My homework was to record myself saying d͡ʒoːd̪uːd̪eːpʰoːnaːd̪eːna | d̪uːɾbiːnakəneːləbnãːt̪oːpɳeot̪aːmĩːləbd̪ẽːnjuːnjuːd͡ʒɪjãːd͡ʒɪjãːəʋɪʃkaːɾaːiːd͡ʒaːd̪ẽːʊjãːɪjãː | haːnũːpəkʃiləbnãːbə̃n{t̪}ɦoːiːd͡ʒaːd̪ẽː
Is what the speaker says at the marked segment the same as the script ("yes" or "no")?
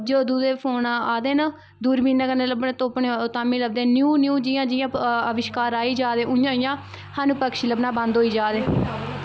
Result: no